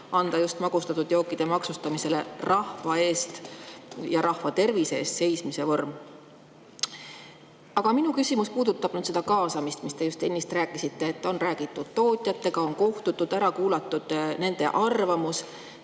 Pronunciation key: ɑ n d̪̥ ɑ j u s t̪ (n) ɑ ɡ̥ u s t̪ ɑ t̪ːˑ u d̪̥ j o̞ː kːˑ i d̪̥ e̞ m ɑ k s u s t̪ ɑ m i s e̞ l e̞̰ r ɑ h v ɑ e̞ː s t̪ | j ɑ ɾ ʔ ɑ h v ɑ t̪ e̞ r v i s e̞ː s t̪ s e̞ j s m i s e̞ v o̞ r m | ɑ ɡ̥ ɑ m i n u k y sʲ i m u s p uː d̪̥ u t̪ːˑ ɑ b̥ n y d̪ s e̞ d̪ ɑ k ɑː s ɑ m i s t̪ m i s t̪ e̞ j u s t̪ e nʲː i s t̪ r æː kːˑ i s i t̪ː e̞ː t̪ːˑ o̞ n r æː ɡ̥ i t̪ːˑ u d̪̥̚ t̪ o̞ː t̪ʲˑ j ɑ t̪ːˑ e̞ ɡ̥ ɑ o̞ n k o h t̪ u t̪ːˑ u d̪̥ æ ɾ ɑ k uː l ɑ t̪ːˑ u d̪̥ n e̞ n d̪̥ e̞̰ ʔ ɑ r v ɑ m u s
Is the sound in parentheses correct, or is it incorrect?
incorrect